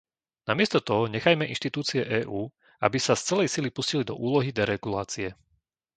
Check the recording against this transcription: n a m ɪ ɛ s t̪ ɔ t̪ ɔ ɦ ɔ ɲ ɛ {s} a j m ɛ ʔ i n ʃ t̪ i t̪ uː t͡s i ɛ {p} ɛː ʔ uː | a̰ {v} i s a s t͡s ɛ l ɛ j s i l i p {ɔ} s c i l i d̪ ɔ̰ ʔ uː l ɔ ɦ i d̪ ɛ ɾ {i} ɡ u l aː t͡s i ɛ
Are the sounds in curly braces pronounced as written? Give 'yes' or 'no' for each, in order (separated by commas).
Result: no, no, no, no, no